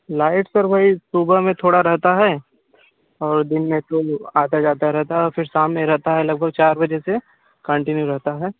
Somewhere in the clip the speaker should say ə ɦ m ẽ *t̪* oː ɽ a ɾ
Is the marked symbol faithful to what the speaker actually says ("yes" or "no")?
no